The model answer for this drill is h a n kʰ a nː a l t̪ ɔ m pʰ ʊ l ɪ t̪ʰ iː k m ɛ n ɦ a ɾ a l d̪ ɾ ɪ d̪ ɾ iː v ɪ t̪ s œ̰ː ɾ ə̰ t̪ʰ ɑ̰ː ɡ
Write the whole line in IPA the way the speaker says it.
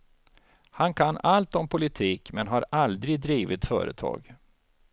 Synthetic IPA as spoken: h a n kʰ a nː a l t̪ ɔ m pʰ ʊ l ɪ t̪ʰ iː k m ɛ n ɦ a ɾ a l d̪ ɾ ɪ d̪ ɾ iː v ɪ t̪ f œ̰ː ɾ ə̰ t̪ʰ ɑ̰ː ɡ